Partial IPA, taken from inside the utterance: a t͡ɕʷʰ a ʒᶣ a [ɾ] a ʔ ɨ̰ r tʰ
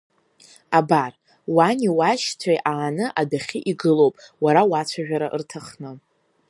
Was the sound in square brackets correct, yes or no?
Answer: yes